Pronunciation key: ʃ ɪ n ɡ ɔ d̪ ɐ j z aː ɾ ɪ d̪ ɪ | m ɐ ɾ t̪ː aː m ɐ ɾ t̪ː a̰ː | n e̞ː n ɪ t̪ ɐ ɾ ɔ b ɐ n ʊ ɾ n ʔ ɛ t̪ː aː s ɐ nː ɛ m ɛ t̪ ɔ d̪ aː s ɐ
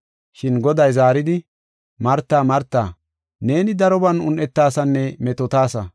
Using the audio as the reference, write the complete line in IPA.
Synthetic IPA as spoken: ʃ ɪ n ɡ ɔ d̪ ɐ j z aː ɾ ɪ d̪ ɪ | m ɐ ɾ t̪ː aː m ɐ ɾ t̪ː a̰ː | n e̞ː n ɪ d̪ ɐ ɾ ɔ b ɐ n ʊ n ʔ ɛ t̪ː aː s ɐ nː ɛ m ɛ t̪ ɔ t̪ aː s ɐ

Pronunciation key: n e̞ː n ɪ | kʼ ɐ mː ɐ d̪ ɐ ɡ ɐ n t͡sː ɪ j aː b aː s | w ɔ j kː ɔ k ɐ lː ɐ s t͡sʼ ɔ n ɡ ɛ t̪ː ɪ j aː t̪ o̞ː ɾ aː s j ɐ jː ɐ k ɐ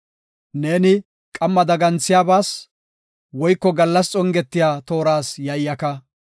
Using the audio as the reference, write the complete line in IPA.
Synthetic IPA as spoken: n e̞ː n ɪ | kʼ ɐ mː ɐ d̪ ɐ ɡ ɐ n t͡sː ɪ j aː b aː s | w ɔ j kː ɔ ɡ ɐ lː ɐ s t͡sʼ ɔ ŋ ɡ ɛ t̪ː ɪ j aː t̪ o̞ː ɾ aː s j ɐ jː ɐ k ɐ

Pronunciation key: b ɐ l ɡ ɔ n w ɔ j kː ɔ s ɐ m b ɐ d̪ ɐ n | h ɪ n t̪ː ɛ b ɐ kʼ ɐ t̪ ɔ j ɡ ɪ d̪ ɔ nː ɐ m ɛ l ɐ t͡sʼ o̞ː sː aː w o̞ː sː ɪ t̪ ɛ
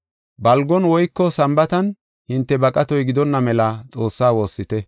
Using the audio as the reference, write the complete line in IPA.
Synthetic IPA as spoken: b ɐ l ɡ ɔ n w ɔ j kː ɔ s ɐ m b ɐ t̪ ɐ n | h ɪ n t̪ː ɛ b ɐ kʼ ɐ t̪ ɔ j ɡ ɪ d̪ ɔ nː ɐ m ɛ l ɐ t͡sʼ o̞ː sː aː w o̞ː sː ɪ t̪ ɛ

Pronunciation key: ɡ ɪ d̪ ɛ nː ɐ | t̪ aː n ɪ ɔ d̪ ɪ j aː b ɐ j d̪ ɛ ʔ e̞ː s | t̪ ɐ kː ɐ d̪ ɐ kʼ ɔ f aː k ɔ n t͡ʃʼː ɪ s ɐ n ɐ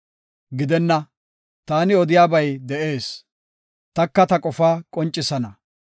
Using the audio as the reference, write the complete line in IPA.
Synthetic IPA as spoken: ɡ ɪ d̪ ɛ nː ɐ | t̪ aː n ɪ ɔ d̪ ɪ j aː b ɐ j d̪ ɛ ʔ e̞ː s | t̪ ɐ kː ɐ t̪ ɐ kʼ ɔ f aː kʼ ɔ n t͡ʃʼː ɪ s ɐ n ɐ

